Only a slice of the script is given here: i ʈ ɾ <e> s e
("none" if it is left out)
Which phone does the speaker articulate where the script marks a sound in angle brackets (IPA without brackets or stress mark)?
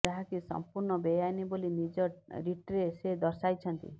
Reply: e